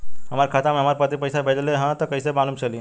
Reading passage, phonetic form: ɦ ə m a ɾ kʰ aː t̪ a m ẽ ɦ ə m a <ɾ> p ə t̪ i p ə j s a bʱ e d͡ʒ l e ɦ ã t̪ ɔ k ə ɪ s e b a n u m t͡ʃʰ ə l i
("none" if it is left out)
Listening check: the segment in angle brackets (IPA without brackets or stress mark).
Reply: ɾ